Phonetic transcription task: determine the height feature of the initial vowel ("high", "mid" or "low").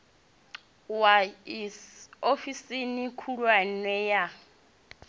low